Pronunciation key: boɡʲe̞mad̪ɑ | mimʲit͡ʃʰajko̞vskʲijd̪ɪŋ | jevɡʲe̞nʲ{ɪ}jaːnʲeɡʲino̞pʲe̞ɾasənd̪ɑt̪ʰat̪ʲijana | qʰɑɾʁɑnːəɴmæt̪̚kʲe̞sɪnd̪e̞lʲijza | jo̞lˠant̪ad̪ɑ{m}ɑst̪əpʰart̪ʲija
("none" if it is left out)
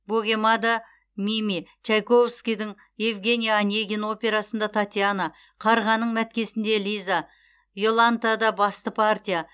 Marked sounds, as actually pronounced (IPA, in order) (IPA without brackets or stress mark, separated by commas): i, b